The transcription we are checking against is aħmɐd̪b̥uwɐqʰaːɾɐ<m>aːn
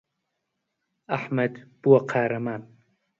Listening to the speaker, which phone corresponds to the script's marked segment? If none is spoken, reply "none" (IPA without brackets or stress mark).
m